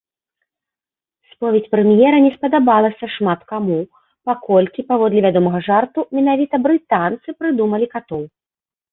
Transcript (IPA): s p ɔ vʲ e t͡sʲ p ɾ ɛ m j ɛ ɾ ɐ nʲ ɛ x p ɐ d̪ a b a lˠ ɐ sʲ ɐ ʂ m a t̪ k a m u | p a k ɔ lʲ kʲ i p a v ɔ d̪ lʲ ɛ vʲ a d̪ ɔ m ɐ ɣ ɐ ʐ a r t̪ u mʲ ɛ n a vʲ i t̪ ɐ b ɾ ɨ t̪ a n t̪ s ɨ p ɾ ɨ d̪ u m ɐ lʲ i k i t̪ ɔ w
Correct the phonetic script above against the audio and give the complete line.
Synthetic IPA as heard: s p ɔ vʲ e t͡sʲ p ɾ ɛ m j ɛ ɾ ɐ nʲ ɛ s p ɐ d̪ a b a lˠ ɐ sʲ ɐ ʂ m a t̪ k a m u | p a k ɔ lʲ kʲ i p a v ɔ d̪ lʲ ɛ vʲ a d̪ ɔ m ɐ ɣ ɐ ʐ a r t̪ u mʲ ɛ n a vʲ i t̪ ɐ b ɾ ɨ t̪ a n t̪ s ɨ p ɾ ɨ d̪ u m ɐ lʲ i k a t̪ ɔ w

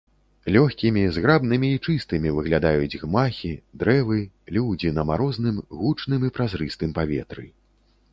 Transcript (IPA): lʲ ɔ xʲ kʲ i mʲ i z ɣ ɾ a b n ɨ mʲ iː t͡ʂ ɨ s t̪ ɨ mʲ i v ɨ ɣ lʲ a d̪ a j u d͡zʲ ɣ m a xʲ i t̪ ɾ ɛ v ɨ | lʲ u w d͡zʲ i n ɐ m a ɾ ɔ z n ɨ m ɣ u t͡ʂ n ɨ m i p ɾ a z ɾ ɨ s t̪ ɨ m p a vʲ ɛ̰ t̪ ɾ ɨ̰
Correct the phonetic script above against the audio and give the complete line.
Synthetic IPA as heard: lʲ ɔ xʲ kʲ i mʲ i z ɣ ɾ a b n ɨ mʲ iː t͡ʂ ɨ s t̪ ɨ mʲ i v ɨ ɣ lʲ a d̪ a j u d͡zʲ ɣ m a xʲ i d̪ ɾ ɛ v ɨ | lʲ u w d͡zʲ i n ɐ m a ɾ ɔ z n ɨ m ɣ u t͡ʂ n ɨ m i p ɾ a z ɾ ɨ s t̪ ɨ m p a vʲ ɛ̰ t̪ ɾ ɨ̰

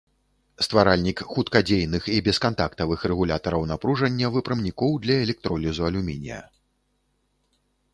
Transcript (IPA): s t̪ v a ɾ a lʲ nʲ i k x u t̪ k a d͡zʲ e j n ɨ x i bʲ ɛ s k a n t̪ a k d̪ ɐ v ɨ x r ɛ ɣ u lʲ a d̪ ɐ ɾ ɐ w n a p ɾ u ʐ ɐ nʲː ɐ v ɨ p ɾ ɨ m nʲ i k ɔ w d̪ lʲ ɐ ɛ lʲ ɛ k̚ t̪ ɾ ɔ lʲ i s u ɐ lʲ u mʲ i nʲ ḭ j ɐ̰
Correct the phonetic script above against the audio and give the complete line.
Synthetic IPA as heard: s t̪ v a ɾ a lʲ nʲ i k x u t̪ k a d͡zʲ e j n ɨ x i bʲ ɛ s k a n t̪ a k t̪ ɐ v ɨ x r ɛ ɣ u lʲ a t̪ ɐ ɾ ɐ w n a p ɾ u ʐ ɐ nʲː ɐ v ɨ p ɾ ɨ m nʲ i k ɔ w d̪ lʲ ɐ ɛ lʲ ɛ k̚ t̪ ɾ ɔ lʲ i z u ɐ lʲ u mʲ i nʲ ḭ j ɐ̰

